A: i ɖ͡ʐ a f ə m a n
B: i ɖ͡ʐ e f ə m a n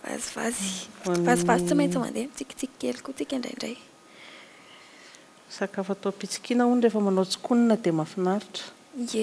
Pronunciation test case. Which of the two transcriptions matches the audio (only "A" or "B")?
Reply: B